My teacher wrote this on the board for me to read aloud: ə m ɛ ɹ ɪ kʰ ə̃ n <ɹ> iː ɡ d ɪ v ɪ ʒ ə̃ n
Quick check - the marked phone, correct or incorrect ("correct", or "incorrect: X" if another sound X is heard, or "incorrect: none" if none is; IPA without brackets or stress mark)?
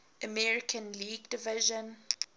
incorrect: l